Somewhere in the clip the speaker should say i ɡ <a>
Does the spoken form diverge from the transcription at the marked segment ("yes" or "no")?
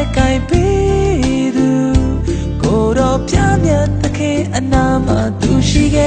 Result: yes